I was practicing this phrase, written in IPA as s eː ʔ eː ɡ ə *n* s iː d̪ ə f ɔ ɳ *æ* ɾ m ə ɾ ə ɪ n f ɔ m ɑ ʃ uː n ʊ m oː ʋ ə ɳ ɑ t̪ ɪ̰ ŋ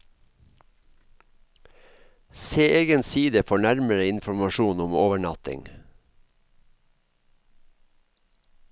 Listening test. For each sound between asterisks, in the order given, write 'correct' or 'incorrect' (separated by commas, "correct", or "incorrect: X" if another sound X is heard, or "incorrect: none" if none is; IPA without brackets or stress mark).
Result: correct, correct